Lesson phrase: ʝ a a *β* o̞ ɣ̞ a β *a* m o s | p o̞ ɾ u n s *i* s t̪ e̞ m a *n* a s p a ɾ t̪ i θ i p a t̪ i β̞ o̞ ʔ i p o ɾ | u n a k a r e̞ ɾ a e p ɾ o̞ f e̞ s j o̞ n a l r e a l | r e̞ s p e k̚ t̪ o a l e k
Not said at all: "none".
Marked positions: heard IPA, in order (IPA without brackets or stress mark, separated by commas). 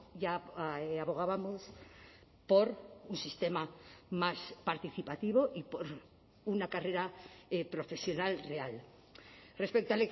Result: β, a, i, m